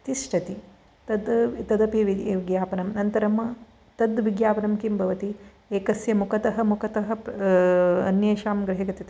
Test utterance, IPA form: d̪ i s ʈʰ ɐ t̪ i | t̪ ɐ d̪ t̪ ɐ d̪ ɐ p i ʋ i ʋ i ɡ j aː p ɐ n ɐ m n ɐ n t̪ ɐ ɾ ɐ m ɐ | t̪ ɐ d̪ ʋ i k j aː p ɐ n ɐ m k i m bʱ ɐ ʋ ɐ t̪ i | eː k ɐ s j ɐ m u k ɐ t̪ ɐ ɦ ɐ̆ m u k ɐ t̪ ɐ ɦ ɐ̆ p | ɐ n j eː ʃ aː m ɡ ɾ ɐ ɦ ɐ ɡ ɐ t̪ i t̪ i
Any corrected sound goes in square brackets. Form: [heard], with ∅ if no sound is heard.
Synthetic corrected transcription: [t̪] i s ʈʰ ɐ t̪ i | t̪ ɐ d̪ t̪ ɐ d̪ ɐ p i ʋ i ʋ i ɡ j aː p ɐ n ɐ m n ɐ n t̪ ɐ ɾ ɐ m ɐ | t̪ ɐ d̪ ʋ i [ɡ] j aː p ɐ n ɐ m k i m bʱ ɐ ʋ ɐ t̪ i | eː k ɐ s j ɐ m u k ɐ t̪ ɐ ɦ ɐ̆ m u k ɐ t̪ ɐ ɦ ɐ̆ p | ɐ n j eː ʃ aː m ɡ ɾ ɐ ɦ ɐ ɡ ɐ t̪ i t̪ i